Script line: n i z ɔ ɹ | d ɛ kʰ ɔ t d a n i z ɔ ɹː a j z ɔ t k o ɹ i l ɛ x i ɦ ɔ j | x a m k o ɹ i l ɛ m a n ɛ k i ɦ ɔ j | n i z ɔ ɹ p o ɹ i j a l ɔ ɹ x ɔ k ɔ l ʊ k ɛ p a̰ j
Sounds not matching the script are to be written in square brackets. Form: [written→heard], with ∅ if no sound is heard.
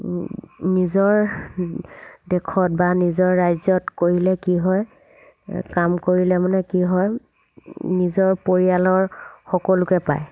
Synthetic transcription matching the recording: n i z ɔ ɹ | d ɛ kʰ ɔ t [d→b] a n i z ɔ ɹː a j z ɔ t k o ɹ i l ɛ [x→k] i ɦ ɔ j | [x→k] a m k o ɹ i l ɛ m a n ɛ k i ɦ ɔ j | n i z ɔ ɹ p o ɹ i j a l ɔ ɹ x ɔ k ɔ l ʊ k ɛ p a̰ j